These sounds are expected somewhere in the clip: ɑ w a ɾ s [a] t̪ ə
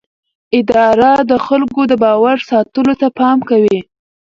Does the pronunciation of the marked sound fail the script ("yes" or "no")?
yes